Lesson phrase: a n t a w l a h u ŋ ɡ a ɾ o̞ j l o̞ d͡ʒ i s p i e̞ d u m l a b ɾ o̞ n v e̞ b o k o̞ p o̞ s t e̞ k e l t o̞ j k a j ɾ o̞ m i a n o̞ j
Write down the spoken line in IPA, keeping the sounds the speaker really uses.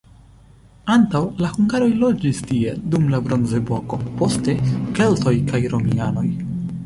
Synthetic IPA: a n t a w l a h u ŋ ɡ a ɾ o̞ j l o̞ d͡ʒ i s t i e̞ d u m l a b ɾ o̞ n z e̞ b o k o̞ p o̞ s t e̞ k e l t o̞ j k a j ɾ o̞ m i a n o̞ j